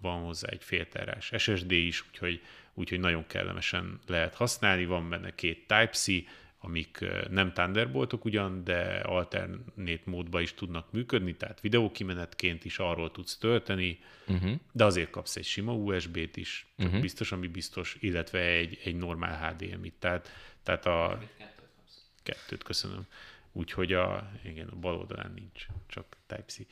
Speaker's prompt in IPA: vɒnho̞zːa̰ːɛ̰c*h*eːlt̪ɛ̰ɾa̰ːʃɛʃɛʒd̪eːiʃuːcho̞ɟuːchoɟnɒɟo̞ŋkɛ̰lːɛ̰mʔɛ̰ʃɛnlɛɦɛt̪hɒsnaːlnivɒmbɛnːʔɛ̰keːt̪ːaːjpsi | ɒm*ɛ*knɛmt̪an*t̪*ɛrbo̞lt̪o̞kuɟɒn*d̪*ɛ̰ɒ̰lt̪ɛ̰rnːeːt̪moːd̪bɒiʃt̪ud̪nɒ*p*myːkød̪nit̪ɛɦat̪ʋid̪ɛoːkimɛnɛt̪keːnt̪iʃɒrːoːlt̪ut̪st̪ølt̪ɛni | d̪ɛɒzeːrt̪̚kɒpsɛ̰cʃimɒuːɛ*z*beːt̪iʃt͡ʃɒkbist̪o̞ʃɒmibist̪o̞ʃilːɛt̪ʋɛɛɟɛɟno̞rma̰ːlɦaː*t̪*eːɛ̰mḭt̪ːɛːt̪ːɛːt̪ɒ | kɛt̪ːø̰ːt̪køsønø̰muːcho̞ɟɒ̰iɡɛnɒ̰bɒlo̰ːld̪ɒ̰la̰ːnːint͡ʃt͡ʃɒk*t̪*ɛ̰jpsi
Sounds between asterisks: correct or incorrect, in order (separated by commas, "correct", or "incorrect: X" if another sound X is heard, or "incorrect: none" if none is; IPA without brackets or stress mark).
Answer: incorrect: f, incorrect: i, incorrect: d̪, correct, incorrect: k, incorrect: ʒ, incorrect: d̪, correct